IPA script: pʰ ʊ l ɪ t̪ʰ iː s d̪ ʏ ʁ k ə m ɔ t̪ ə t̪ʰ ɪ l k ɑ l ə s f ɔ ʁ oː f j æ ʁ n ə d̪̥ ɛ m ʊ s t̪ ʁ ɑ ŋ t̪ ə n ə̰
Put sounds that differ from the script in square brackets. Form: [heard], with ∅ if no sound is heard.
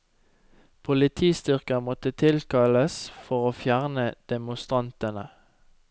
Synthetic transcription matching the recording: pʰ ʊ l ɪ t̪ʰ iː s [t̪] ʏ ʁ k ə m ɔ t̪ ə t̪ʰ ɪ l k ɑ l ə s f ɔ ʁ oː f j æ ʁ n ə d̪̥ ɛ m ʊ s t̪ ʁ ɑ [n] t̪ ə n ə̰